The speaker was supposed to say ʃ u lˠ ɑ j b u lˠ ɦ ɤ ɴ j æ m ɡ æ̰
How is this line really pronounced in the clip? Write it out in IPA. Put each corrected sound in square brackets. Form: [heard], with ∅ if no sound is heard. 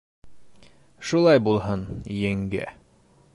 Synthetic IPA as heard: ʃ u lˠ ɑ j b u lˠ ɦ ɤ [n] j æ [ŋ] ɡ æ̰